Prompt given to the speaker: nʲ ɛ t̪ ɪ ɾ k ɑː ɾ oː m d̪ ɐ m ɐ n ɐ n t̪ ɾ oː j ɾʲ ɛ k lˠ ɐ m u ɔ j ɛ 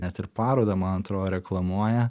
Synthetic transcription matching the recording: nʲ ɛ t̪ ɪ ɾ p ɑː ɾ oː d̪ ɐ m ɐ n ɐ n t̪ ɾ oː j ɾʲ ɛ k lˠ ɐ m u ɔ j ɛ